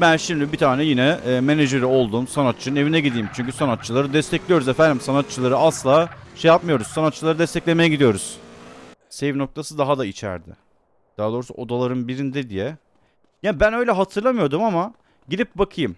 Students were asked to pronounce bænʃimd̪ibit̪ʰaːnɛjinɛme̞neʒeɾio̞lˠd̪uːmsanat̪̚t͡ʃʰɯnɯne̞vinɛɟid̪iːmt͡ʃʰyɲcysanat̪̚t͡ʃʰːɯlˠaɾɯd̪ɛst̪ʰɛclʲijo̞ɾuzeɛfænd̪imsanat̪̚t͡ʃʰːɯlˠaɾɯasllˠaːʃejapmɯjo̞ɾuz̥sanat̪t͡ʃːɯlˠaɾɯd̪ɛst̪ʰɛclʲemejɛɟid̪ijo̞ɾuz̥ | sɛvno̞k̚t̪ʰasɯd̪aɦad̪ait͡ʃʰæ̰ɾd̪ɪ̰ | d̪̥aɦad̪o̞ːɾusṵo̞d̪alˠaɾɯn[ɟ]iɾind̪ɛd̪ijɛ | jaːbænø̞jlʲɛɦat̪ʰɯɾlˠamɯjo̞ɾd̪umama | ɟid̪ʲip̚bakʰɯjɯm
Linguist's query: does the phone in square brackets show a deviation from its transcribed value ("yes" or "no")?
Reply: yes